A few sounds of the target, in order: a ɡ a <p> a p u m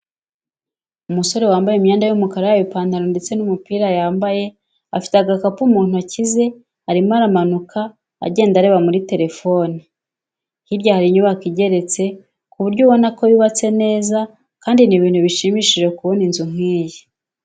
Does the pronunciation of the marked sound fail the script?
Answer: yes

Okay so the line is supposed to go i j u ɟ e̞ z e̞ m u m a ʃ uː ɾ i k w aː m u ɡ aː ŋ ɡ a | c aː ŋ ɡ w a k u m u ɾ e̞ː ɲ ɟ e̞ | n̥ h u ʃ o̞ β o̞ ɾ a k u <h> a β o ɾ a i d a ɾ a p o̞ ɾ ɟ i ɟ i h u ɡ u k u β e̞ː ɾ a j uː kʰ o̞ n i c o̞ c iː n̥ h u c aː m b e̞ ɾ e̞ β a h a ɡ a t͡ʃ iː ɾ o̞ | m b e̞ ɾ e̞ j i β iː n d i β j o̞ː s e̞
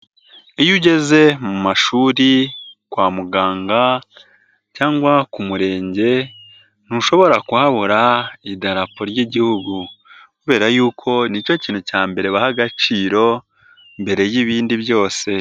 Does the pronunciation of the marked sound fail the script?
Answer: no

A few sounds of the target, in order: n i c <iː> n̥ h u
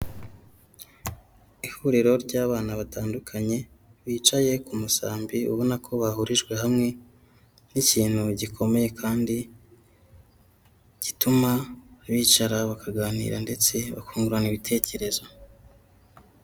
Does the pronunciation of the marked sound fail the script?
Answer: no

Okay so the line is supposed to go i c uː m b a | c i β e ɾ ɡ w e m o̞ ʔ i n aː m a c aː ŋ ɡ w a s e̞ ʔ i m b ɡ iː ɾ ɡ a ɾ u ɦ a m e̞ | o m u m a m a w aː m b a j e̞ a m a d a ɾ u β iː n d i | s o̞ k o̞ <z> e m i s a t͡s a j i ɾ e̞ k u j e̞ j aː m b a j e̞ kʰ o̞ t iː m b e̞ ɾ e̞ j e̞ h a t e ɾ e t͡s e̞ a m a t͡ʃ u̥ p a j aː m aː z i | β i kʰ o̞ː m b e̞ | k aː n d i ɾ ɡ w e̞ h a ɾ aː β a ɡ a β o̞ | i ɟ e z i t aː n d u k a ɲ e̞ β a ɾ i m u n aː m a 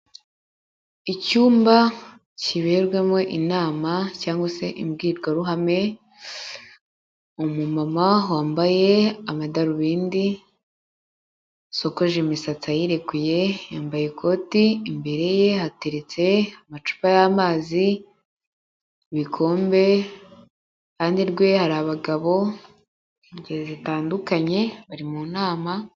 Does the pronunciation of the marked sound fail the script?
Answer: yes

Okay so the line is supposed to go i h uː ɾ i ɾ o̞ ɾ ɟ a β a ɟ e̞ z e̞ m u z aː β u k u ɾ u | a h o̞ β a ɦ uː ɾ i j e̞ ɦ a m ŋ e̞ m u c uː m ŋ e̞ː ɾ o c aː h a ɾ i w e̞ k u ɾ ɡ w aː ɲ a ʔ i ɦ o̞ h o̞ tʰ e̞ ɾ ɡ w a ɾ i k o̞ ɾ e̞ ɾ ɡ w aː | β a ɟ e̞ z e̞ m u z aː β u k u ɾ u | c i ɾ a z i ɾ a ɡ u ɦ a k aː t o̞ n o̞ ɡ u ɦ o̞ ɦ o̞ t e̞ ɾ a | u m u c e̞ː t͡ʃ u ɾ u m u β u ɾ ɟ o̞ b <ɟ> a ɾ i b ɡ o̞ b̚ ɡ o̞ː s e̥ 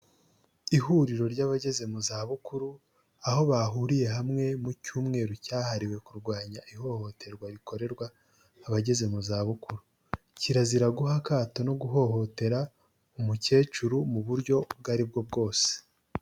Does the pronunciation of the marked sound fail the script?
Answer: yes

